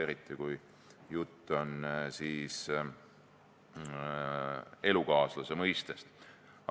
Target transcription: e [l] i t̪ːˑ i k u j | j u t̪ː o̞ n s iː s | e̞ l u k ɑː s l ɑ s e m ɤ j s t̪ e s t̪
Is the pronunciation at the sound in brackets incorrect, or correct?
incorrect